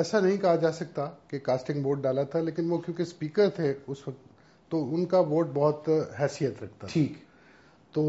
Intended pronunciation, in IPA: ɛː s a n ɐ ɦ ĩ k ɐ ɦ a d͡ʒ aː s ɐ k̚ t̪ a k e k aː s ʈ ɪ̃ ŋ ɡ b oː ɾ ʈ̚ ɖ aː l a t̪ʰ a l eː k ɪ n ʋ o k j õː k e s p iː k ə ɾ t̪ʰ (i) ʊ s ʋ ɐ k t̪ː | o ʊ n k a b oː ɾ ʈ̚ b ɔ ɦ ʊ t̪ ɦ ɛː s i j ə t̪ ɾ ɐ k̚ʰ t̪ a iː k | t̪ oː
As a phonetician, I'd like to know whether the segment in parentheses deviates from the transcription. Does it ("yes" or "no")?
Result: yes